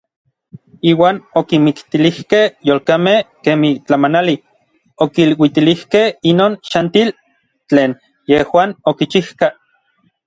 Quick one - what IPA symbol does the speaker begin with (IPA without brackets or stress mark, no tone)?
iː